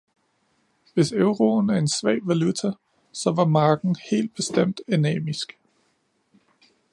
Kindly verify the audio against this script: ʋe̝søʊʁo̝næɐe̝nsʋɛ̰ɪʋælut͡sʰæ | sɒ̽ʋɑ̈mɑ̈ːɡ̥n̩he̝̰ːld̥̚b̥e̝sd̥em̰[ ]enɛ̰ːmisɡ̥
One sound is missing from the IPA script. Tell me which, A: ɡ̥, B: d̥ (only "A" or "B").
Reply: B